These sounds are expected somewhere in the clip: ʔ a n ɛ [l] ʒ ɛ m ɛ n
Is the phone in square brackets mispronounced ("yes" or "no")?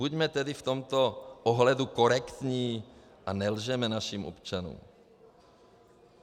no